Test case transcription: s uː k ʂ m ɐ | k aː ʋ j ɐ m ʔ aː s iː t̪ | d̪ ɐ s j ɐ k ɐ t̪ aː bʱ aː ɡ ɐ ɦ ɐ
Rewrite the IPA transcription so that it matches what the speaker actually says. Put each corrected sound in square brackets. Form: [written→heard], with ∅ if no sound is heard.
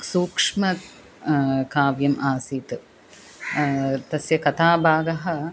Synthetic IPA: s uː k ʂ m ɐ | k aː ʋ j ɐ m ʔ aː s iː t̪ | [d̪→t̪] ɐ s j ɐ k ɐ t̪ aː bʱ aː ɡ ɐ ɦ ɐ